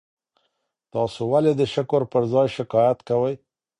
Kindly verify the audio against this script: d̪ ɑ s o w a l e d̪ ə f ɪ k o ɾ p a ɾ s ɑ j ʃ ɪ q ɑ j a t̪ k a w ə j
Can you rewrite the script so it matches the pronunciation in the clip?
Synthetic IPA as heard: t̪ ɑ s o w a l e d̪ ə ʃ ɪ k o ɾ p ə ɾ z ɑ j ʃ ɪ k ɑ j a t̪ k a w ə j

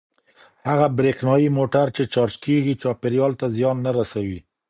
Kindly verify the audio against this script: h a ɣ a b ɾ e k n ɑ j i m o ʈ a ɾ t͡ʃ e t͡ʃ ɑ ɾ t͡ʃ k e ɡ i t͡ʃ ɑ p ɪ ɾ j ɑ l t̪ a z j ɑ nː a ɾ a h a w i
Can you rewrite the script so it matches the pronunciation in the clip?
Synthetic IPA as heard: h a ɣ a b ɾ e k n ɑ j i m o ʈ a ɾ t͡ʃ e t͡ʃ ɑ ɾ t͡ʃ k e ɡ i t͡ʃ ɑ p ɪ ɾ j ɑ l t̪ a z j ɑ nː a ɾ a s a w i

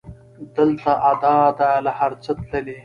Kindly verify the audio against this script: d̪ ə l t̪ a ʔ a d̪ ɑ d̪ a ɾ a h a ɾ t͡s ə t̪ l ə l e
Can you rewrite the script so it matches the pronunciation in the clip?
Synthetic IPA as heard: d̪ ə l t̪ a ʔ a d̪ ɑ d̪ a l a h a ɾ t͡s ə t̪ l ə l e

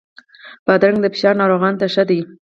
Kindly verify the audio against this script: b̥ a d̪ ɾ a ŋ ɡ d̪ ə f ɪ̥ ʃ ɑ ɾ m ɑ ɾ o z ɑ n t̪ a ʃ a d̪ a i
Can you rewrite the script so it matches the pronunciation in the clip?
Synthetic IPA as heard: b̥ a d̪ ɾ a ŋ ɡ d̪ ə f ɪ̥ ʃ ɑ ɾ n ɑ ɾ o ɣ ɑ n t̪ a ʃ a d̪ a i

